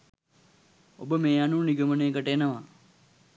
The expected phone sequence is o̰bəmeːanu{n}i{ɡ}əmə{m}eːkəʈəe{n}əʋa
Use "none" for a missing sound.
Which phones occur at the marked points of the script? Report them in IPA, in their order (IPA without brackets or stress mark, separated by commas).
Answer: n, ɡ, n, n